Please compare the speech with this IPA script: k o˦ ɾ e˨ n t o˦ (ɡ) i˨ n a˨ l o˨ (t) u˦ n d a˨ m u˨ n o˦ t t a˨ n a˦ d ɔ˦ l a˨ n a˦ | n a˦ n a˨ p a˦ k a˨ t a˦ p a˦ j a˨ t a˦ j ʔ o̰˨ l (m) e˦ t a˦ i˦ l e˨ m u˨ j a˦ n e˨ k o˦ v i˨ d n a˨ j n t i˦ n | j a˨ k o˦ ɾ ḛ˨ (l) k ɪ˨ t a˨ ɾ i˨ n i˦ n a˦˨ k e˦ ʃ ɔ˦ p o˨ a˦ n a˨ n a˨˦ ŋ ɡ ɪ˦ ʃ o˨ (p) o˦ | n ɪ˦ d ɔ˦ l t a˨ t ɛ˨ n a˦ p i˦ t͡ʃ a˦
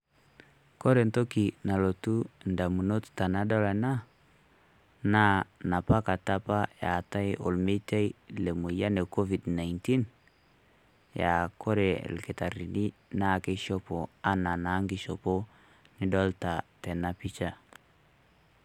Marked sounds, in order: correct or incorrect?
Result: incorrect: k, correct, correct, correct, correct

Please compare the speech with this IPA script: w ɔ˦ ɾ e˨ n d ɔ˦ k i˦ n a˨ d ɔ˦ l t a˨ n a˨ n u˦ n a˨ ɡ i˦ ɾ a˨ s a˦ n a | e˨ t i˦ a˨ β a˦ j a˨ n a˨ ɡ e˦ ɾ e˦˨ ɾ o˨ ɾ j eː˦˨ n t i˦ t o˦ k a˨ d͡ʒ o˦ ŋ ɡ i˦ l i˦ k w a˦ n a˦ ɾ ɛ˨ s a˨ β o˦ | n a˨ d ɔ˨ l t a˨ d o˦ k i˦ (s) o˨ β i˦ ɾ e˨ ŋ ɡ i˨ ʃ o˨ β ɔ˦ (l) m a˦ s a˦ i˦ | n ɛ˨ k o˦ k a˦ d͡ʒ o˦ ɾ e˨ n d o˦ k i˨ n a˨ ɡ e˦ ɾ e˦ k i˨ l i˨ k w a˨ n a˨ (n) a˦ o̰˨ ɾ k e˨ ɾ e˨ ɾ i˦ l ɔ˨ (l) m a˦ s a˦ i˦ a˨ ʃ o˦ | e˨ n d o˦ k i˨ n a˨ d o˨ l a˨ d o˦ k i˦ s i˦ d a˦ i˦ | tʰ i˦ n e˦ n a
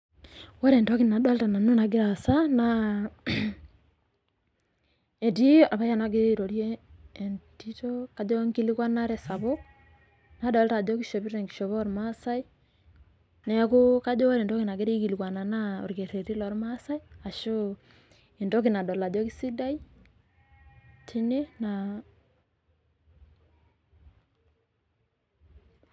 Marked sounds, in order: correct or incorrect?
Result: incorrect: ʃ, incorrect: ɾ, correct, incorrect: ɾ

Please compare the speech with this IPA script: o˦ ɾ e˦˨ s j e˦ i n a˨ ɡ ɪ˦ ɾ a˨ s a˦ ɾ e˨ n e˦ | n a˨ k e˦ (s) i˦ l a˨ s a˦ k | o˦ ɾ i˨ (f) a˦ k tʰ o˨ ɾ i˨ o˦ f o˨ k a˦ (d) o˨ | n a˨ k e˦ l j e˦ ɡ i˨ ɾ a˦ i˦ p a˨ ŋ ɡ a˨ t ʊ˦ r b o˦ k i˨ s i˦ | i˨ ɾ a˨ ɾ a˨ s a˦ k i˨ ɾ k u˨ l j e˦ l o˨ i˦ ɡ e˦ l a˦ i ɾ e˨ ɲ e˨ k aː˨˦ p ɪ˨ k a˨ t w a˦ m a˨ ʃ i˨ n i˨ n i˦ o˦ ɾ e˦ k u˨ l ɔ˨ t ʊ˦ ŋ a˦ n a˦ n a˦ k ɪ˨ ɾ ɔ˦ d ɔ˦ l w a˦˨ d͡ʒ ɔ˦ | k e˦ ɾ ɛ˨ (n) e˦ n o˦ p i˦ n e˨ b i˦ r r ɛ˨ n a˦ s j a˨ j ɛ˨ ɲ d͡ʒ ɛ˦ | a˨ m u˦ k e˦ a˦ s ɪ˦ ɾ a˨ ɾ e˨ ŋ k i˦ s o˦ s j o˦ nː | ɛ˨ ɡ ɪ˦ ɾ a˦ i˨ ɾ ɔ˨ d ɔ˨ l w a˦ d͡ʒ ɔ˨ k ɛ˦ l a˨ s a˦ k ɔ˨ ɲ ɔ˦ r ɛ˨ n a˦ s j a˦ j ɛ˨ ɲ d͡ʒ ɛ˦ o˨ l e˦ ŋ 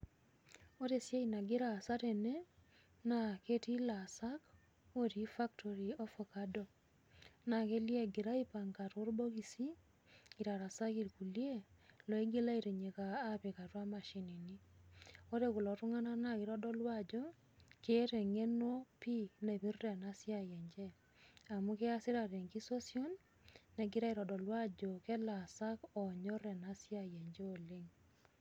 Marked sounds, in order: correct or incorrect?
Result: incorrect: t, correct, correct, incorrect: ŋ

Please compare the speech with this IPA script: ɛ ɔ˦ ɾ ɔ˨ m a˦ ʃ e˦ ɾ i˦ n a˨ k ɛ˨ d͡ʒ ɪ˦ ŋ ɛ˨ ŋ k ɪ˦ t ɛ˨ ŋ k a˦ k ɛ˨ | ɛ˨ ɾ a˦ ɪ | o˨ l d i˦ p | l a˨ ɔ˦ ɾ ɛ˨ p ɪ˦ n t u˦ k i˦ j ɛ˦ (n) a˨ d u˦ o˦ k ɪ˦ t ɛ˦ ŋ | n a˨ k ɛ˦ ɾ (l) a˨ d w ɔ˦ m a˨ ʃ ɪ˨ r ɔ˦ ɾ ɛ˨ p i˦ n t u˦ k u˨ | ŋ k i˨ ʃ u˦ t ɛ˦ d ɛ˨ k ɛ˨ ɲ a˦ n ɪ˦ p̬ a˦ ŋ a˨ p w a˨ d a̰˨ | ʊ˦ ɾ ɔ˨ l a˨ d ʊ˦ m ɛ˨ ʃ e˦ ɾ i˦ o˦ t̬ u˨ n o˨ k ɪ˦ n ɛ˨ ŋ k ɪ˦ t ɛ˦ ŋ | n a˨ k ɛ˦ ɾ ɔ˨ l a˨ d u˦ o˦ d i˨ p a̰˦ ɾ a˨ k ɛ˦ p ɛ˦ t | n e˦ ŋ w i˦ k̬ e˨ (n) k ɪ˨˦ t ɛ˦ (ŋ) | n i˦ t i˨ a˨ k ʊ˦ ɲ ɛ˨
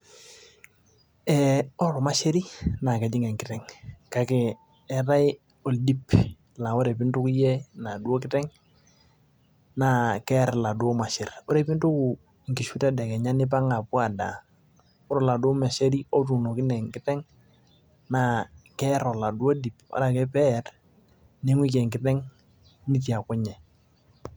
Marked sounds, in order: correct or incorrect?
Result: correct, correct, incorrect: ŋ, correct

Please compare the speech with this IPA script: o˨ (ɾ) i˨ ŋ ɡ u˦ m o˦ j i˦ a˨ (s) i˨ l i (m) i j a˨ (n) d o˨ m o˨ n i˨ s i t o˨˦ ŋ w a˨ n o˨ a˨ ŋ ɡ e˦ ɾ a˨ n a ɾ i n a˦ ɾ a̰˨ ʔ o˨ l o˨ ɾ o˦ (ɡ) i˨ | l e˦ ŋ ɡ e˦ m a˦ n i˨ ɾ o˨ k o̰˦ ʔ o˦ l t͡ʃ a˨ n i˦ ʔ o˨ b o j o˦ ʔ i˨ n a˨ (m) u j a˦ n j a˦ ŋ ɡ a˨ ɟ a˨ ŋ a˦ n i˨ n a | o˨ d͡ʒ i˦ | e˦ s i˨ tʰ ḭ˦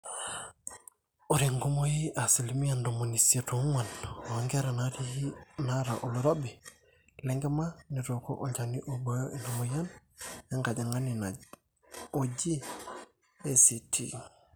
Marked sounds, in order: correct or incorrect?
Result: correct, correct, correct, correct, incorrect: b, correct

